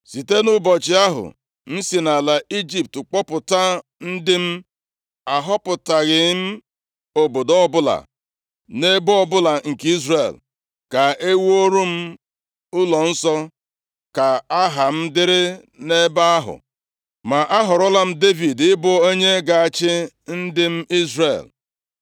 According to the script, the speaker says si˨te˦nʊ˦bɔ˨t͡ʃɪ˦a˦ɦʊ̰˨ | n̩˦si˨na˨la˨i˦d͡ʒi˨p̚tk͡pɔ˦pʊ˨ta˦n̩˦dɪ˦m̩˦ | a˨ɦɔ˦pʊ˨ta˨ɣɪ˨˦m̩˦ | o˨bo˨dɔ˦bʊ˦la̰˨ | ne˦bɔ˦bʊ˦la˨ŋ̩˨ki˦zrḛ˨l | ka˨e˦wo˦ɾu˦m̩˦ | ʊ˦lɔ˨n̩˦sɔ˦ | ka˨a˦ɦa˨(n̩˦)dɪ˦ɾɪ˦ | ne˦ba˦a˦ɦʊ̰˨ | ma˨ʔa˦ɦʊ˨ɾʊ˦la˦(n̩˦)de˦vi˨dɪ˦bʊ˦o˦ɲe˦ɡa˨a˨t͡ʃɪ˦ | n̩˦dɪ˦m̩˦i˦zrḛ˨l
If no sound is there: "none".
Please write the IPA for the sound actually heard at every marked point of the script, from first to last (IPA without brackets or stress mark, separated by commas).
m̩˦, m̩˦